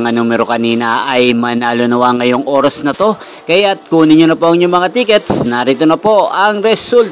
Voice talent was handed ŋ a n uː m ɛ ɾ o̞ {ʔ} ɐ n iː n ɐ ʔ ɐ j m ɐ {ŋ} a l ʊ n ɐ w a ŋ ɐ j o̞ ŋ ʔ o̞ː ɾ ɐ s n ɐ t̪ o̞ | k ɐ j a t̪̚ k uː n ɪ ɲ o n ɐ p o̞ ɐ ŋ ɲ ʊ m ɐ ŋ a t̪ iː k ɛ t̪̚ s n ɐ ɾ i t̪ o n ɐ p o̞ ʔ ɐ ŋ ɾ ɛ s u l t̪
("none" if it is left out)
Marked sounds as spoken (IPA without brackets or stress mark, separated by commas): k, n